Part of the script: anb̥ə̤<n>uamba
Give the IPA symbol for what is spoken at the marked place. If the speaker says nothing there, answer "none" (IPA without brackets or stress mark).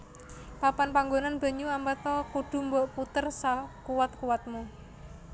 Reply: ɲ